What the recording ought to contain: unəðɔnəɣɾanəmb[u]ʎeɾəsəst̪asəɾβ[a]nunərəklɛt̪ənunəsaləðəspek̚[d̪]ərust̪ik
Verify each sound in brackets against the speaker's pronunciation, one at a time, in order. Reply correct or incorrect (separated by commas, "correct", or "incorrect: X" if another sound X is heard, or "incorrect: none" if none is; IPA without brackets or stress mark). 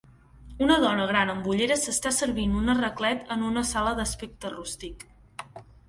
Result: correct, incorrect: i, incorrect: t̪